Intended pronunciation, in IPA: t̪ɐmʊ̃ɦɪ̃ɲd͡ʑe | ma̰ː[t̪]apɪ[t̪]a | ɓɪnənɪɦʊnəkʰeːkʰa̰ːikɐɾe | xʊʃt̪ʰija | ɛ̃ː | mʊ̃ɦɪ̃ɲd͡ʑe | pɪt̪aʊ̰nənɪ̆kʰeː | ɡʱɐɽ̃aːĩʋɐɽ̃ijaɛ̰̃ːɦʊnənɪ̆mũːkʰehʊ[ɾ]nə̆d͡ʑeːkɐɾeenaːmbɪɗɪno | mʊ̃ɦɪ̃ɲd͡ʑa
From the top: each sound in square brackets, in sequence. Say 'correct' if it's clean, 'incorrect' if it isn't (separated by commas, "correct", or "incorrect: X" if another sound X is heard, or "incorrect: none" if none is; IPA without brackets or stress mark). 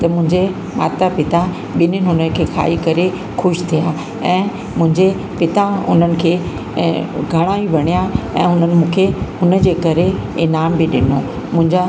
correct, correct, incorrect: none